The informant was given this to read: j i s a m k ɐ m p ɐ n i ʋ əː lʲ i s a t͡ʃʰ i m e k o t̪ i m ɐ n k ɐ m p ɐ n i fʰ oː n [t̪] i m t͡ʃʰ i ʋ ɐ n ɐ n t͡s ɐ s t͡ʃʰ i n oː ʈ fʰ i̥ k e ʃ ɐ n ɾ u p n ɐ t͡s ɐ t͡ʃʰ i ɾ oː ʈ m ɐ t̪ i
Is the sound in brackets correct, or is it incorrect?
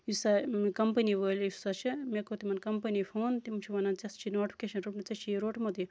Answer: correct